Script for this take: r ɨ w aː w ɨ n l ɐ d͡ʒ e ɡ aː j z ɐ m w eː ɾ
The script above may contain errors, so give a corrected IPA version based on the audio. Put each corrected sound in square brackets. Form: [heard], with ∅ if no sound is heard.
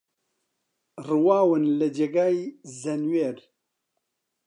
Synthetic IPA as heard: r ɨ w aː w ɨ n l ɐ d͡ʒ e ɡ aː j z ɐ [n] w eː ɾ